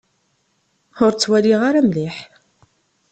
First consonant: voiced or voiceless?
voiced